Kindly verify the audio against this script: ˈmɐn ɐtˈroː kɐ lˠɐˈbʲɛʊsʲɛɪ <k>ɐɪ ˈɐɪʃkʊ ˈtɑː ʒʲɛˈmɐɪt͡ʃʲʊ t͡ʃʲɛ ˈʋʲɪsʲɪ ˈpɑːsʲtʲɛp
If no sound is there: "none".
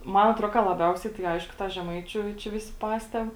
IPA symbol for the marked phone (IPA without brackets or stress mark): t